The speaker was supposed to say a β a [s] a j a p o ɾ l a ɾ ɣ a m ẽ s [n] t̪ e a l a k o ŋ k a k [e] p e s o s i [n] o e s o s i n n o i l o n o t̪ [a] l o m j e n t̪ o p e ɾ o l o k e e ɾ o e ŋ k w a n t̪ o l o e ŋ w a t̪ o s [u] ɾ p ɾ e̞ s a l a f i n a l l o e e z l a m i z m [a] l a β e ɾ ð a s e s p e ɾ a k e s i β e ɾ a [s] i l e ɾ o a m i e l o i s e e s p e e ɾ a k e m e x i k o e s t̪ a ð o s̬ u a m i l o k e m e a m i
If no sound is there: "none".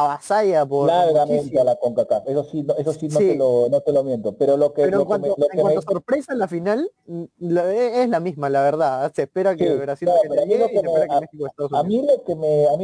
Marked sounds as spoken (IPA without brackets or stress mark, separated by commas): s, n, a, n, e, o, a, s